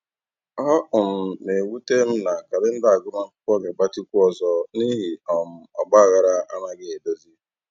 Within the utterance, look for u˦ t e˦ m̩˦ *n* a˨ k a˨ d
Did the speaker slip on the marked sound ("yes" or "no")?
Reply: no